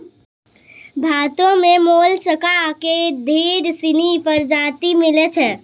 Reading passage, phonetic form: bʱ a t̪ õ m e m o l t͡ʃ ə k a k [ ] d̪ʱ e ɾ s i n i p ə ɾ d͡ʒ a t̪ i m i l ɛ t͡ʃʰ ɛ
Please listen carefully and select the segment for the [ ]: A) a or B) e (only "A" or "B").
B